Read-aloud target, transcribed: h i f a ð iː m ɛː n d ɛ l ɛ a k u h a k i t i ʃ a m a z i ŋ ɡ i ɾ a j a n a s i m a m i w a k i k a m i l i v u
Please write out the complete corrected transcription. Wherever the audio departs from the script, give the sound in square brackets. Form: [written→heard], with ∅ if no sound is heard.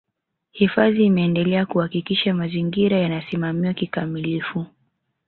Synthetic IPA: h i f a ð iː m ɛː n d ɛ l ɛ a k u h a k i [t→k] i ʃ a m a z i ŋ ɡ i ɾ a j a n a s i m a m i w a k i k a m i l i [v→f] u